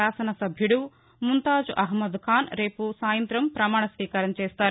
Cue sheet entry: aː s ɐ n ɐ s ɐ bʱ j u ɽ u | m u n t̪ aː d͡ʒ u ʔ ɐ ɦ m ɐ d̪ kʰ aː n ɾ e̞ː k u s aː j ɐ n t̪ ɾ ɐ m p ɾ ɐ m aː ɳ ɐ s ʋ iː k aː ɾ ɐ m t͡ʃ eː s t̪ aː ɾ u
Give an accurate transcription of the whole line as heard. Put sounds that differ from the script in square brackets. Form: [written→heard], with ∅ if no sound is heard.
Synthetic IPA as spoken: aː s ɐ n ɐ s ɐ bʱ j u ɽ u | m u n t̪ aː d͡ʒ u ʔ ɐ ɦ m ɐ d̪ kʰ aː n ɾ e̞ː [k→p] u s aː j ɐ n t̪ ɾ ɐ m p ɾ ɐ m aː ɳ ɐ s ʋ iː k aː ɾ ɐ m t͡ʃ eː s t̪ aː ɾ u